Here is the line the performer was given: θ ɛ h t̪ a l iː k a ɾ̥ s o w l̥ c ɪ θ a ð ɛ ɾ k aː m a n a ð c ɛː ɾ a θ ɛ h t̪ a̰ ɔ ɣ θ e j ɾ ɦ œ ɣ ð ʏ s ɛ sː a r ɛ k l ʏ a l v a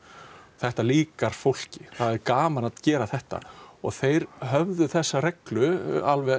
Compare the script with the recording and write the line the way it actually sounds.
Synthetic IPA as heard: θ ɛ h t̪ a l iː k a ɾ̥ f o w l̥ c ɪ θ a ð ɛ ɾ k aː m a n a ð c ɛː ɾ a θ ɛ h t̪ a̰ ɔ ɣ θ e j ɾ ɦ œ v ð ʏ θ ɛ sː a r ɛ k l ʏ a l v ɛ